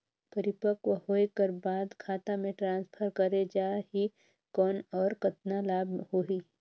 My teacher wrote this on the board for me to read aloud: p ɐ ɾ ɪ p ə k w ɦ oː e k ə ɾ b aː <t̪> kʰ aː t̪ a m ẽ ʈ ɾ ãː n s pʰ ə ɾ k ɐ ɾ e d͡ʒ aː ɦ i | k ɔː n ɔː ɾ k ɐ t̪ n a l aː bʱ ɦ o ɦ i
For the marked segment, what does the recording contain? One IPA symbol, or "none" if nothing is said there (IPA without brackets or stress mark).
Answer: d̪